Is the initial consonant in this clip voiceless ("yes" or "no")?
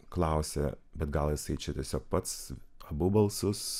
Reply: yes